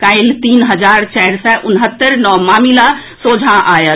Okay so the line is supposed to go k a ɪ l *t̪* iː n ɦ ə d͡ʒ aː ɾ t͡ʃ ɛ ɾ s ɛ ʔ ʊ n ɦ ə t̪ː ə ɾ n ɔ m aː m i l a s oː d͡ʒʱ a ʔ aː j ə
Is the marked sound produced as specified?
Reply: yes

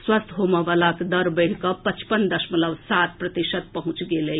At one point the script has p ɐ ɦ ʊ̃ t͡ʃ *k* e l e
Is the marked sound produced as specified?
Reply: no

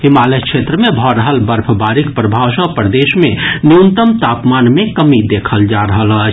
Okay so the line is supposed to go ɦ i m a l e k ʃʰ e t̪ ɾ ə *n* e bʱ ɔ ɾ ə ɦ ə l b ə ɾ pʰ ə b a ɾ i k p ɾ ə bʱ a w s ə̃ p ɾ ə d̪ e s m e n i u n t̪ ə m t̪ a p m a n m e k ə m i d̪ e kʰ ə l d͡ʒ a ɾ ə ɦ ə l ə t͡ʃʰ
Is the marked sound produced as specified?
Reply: no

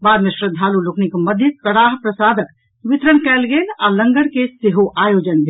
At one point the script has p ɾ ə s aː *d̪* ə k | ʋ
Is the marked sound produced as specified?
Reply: yes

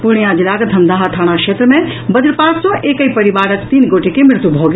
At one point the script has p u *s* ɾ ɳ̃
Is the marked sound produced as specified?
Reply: no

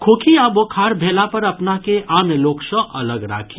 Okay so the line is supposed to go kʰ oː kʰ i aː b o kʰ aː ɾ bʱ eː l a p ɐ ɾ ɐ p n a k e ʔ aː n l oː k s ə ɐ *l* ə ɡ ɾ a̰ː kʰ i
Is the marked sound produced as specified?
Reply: yes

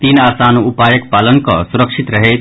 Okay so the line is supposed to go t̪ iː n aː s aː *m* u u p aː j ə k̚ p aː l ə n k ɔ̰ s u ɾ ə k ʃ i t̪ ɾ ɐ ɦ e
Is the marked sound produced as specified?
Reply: no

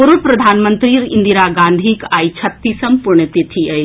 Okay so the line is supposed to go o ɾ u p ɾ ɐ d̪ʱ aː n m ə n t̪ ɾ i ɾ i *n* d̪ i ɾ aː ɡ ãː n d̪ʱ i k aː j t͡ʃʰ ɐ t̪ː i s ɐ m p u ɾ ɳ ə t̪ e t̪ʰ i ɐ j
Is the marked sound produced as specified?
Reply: yes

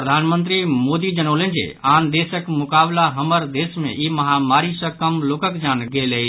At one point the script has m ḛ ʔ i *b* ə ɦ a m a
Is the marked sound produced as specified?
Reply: no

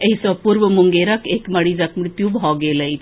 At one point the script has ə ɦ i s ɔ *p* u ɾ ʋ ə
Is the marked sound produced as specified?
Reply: yes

